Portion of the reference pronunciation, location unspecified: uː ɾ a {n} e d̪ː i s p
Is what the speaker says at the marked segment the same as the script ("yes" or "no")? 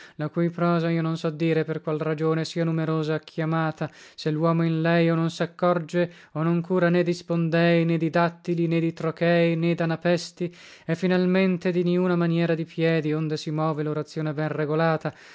yes